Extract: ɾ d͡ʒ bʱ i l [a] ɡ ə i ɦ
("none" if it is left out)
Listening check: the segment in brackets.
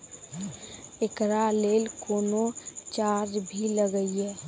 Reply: ə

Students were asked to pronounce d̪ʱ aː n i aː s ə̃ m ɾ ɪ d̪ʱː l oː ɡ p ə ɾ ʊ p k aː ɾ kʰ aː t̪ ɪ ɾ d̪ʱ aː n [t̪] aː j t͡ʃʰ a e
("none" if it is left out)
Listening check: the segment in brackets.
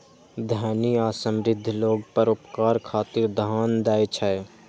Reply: d̪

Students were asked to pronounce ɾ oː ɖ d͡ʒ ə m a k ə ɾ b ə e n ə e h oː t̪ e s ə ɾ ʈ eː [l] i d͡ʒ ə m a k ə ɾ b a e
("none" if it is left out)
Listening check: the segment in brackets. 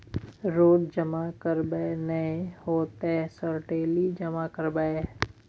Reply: l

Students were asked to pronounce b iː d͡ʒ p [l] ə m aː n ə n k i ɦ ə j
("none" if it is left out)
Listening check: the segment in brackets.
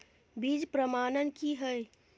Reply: ɾ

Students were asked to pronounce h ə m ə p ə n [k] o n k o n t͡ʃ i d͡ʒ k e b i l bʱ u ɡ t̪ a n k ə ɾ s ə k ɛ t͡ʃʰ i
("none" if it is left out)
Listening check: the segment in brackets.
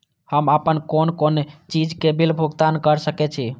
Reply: k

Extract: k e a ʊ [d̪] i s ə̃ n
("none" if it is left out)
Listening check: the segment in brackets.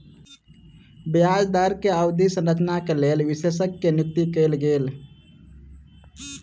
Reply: d̪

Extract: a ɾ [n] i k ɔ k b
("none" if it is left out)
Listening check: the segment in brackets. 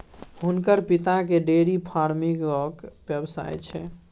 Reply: m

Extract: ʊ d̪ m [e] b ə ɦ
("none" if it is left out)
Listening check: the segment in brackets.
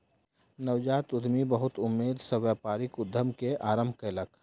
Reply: i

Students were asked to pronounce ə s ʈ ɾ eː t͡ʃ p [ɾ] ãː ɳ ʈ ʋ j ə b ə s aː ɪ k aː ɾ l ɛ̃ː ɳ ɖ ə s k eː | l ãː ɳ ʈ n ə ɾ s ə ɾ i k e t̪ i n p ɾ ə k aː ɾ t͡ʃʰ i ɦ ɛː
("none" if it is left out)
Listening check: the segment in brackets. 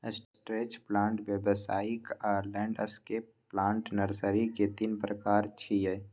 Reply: l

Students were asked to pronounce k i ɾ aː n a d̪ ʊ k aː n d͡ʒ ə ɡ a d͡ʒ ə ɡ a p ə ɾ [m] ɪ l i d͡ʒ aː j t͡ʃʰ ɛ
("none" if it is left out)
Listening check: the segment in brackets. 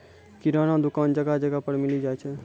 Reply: m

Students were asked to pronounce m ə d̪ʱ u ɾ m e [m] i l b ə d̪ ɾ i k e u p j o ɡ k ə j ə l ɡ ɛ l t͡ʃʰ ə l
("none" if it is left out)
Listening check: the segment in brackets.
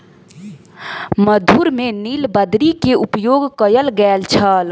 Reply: n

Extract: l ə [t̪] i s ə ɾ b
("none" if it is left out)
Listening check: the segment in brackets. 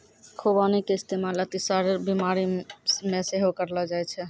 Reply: t̪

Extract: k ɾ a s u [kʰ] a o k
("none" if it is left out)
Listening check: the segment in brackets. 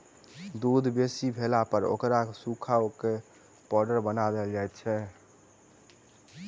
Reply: kʰ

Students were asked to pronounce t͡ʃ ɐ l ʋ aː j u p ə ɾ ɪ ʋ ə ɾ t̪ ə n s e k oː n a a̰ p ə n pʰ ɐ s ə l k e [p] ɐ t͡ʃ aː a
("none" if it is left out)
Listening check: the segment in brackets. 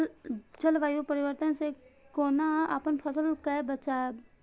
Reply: b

